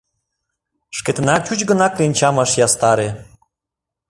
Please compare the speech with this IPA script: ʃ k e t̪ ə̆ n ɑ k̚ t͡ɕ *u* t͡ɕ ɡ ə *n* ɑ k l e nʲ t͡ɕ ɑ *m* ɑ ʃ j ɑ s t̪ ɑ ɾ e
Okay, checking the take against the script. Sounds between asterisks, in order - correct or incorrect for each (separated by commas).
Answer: correct, correct, correct